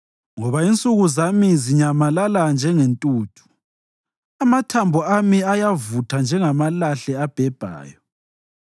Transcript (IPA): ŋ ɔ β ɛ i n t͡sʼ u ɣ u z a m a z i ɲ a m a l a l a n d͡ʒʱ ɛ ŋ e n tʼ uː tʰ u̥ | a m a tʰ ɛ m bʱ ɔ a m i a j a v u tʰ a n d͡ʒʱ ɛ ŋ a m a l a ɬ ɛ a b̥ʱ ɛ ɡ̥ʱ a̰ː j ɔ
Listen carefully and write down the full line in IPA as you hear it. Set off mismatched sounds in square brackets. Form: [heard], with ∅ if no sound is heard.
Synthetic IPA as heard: ŋ ɔ β [a] i n t͡sʼ u ɣ u z a m [i] z i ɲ a m a l a l a n d͡ʒʱ ɛ ŋ e n tʼ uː tʰ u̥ | a m a tʰ [a] m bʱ ɔ a m i a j a v u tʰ a n d͡ʒʱ ɛ ŋ a m a l a ɬ ɛ a b̥ʱ ɛ [b̥ʱ] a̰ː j ɔ